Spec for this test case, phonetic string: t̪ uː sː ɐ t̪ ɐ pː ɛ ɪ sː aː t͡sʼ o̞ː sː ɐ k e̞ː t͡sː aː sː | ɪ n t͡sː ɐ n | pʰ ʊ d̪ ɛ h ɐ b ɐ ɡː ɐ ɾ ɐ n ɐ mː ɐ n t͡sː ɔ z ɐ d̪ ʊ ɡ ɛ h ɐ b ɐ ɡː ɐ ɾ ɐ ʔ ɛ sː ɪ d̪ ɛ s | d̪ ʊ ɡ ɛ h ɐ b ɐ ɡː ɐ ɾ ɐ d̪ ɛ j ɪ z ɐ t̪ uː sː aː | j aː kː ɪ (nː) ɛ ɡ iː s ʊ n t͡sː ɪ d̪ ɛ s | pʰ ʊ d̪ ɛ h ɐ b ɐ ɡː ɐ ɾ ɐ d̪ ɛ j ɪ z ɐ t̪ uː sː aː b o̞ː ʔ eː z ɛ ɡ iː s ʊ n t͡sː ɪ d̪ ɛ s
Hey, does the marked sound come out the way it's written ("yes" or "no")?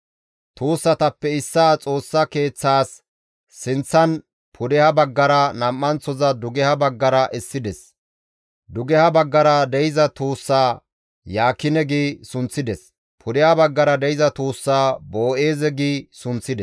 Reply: no